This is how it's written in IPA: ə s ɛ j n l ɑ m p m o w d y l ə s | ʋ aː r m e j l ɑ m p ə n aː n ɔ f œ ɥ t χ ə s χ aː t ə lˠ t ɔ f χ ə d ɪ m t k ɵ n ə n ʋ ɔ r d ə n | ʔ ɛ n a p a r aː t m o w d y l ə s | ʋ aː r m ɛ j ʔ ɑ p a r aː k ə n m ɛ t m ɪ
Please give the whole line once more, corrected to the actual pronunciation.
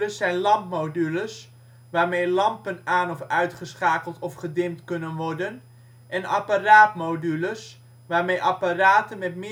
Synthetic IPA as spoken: ə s ɛ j n l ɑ m p m o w d y l ə s | ʋ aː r m e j l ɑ m p ə n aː n ɔ f œ ɥ t χ ə s χ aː k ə lˠ t ɔ f χ ə d ɪ m t k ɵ n ə n ʋ ɔ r d ə n | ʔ ɛ n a p a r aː t m o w d y l ə s | ʋ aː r m e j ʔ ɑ p a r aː t ə n m ɛ t m ɪ